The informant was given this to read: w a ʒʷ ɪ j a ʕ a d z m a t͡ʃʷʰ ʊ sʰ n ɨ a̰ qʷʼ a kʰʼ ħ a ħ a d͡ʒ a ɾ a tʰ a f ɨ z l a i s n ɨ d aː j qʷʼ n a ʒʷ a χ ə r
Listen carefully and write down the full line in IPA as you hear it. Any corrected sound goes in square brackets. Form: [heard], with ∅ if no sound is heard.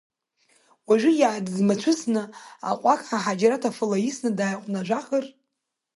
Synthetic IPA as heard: w a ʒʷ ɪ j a ʕ a d z m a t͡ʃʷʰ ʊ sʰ n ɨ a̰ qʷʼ a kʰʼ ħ a ħ a d͡ʒ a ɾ a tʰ a f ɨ [∅] l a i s n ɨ d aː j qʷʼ n a ʒʷ a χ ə r